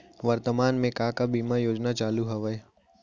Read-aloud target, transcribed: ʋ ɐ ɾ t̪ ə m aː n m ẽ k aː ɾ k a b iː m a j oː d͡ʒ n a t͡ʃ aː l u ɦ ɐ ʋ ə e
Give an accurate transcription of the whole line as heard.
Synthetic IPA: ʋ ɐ ɾ t̪ ə m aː n m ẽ k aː k a b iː m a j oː d͡ʒ n a t͡ʃ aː l u ɦ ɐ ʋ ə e